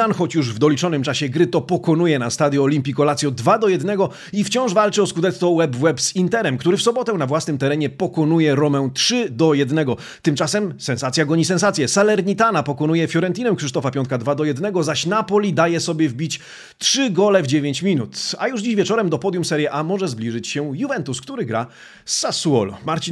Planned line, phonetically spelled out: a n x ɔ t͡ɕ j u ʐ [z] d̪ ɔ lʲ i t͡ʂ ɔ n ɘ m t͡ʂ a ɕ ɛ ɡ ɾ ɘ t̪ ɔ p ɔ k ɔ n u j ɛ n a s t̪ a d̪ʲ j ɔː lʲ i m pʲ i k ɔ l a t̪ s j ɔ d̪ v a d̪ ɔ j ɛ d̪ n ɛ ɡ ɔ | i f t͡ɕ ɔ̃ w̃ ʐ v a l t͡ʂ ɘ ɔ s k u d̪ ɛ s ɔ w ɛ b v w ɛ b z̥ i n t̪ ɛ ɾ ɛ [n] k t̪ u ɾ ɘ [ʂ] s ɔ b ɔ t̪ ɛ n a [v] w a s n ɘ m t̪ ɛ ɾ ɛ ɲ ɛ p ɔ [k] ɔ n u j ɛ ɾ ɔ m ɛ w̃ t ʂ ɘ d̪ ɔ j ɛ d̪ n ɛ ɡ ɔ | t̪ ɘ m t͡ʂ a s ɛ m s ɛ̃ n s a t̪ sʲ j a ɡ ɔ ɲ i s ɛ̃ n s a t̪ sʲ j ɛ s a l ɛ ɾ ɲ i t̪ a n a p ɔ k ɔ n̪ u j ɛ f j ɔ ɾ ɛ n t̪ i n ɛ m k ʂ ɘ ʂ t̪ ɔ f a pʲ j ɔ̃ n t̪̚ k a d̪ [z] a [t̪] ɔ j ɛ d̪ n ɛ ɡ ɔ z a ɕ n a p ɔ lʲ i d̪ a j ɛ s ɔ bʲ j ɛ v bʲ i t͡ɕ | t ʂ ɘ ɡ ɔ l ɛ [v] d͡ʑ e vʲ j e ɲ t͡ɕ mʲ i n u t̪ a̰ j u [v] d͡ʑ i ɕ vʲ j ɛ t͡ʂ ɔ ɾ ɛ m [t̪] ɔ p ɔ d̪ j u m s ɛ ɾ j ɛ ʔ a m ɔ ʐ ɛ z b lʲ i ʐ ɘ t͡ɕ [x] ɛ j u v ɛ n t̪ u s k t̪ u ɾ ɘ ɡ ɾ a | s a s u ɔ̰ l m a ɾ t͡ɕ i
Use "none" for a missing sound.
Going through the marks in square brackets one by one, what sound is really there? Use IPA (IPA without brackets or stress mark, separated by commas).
v, m, f, v, k, v, d̪, v, ʐ, d̪, ɕ